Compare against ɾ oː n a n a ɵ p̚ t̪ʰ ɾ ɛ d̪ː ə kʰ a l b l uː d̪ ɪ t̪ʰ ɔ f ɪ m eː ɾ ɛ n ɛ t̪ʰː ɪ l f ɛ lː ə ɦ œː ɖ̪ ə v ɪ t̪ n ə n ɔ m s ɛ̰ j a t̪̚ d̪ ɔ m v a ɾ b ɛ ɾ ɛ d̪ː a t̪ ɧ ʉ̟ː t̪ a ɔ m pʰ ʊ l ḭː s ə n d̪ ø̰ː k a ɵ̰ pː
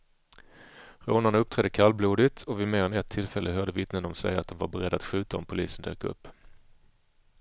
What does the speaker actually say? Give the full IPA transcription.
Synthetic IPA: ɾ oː n a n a ɵ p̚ t̪ʰ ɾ ɛ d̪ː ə kʰ a l b l uː d̪ ɪ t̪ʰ ɔ v ɪ m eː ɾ ɛ n ɛ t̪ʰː ɪ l f ɛ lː ə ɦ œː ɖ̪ ə v ɪ t̪ n ə n ɔ m s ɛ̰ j a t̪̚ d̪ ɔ m v a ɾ b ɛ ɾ ɛ d̪ː a t̪ ɧ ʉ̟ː t̪ a ɔ m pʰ ʊ l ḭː s ə n d̪ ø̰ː k a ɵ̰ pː